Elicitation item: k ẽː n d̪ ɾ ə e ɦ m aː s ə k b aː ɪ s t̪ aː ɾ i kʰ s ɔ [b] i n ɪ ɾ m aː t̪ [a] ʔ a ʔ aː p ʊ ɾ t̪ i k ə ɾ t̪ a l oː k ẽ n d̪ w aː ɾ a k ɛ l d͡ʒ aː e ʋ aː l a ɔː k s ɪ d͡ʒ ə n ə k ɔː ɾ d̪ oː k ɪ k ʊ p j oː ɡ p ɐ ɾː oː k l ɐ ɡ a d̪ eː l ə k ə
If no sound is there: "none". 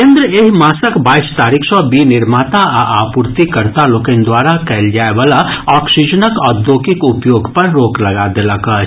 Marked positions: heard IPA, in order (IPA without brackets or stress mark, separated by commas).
b, a